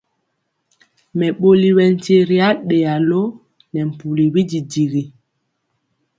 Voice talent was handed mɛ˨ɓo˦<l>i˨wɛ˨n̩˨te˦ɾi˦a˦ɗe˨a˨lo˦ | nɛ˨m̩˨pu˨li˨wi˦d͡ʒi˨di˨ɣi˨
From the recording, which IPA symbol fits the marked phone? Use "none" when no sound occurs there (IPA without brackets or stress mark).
l